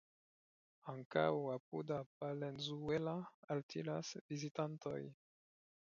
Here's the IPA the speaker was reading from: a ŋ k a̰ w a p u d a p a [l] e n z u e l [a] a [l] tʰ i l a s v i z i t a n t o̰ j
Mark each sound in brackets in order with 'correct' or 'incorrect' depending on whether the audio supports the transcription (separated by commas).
correct, correct, correct